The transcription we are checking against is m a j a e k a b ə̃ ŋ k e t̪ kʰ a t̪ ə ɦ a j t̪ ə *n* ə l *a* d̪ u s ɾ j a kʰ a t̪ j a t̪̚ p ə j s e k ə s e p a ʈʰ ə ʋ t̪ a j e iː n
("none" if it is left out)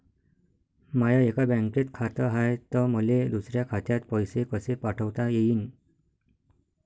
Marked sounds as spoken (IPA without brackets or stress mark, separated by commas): m, e